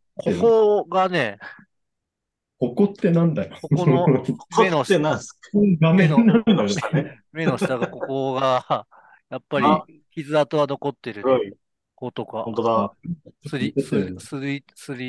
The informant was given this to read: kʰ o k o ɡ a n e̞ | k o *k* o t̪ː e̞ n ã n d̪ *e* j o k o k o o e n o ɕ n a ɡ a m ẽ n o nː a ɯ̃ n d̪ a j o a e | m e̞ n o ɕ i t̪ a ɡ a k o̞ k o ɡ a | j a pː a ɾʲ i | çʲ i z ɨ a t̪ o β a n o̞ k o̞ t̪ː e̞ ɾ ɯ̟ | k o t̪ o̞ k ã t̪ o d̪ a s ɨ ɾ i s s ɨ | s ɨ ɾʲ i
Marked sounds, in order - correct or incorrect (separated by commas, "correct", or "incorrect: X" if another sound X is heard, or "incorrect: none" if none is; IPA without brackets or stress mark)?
correct, incorrect: a